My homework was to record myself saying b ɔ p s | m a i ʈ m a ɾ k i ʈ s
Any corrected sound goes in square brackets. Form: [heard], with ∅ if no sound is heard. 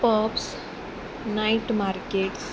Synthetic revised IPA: [p] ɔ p s | [n] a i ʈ m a ɾ k [e] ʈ s